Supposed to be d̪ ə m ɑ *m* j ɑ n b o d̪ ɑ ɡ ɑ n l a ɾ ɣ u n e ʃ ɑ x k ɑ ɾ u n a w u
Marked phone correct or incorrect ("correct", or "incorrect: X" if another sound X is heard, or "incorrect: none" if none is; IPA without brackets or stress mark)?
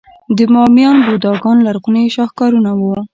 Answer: correct